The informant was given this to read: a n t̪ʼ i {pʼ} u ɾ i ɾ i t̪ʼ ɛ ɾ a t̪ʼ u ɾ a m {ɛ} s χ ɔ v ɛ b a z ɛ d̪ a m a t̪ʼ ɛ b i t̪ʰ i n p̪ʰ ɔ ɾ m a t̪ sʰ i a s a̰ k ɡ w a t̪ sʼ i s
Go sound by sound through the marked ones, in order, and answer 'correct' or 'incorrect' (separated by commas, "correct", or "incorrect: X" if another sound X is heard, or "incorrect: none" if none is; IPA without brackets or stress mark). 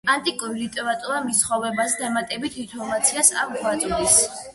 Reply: incorrect: kʼ, incorrect: i